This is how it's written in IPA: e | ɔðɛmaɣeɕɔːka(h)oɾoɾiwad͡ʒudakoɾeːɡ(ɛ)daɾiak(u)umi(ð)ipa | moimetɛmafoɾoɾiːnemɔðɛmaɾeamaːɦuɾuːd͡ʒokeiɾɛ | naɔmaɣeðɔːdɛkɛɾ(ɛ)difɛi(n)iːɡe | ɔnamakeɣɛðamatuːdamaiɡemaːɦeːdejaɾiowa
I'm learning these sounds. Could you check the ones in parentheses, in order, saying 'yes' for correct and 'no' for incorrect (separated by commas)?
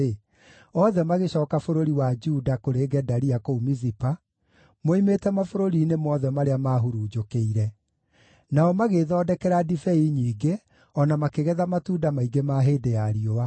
no, yes, no, no, no, no